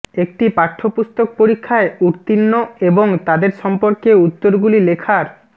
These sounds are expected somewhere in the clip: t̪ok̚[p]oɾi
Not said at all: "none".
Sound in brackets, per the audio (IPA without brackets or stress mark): p